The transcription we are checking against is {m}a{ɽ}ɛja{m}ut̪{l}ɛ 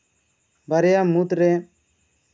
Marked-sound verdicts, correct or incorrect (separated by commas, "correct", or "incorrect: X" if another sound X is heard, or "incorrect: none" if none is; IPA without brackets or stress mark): incorrect: b, incorrect: ɾ, correct, incorrect: ɾ